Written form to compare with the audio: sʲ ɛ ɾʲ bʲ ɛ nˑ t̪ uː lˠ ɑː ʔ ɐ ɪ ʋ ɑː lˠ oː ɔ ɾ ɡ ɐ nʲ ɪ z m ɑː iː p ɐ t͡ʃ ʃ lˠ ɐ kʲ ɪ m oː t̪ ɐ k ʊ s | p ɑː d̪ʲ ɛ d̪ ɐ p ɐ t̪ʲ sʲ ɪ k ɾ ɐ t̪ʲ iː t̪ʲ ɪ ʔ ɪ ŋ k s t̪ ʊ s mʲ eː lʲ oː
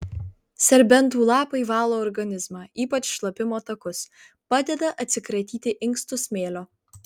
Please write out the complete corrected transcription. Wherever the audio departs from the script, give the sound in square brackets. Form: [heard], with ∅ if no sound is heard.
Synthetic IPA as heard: sʲ ɛ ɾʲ bʲ ɛ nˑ t̪ uː lˠ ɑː [p] ɐ ɪ ʋ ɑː lˠ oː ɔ ɾ ɡ ɐ nʲ ɪ z m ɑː iː p ɐ t͡ʃ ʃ lˠ ɐ [pʲ] ɪ m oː t̪ ɐ k ʊ s | p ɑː d̪ʲ ɛ d̪ ɐ [ʔ] ɐ t̪ʲ sʲ ɪ k ɾ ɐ t̪ʲ iː t̪ʲ ɪ ʔ ɪ ŋ k s t̪ ʊ s mʲ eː lʲ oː